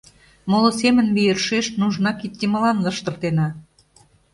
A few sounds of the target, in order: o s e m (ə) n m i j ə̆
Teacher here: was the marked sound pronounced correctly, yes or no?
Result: yes